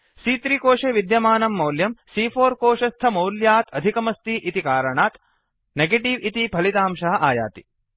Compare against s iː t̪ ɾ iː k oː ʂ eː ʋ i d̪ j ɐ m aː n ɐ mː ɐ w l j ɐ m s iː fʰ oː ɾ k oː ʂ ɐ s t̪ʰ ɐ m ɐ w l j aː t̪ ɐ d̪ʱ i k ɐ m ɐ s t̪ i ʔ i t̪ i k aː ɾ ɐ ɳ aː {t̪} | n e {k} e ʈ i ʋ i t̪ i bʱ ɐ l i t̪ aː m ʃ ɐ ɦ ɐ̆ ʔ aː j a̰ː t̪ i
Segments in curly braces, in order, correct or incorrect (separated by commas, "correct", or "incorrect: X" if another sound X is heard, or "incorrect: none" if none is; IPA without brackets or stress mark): correct, incorrect: ɡ